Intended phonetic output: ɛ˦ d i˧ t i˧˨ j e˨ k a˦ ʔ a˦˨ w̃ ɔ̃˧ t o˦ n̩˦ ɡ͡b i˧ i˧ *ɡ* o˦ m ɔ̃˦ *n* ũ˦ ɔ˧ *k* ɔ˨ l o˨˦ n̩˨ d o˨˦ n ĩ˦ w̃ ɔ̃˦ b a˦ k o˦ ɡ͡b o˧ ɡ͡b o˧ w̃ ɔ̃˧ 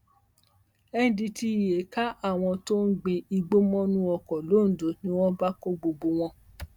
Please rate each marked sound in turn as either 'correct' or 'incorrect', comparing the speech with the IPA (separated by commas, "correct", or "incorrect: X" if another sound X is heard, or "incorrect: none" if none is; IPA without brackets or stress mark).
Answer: incorrect: ɡ͡b, correct, correct